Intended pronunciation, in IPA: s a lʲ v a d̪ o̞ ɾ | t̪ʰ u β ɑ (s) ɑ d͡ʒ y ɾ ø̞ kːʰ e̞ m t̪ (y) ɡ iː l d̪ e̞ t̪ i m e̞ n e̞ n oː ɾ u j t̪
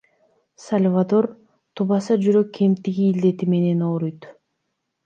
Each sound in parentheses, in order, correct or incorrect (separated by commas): correct, incorrect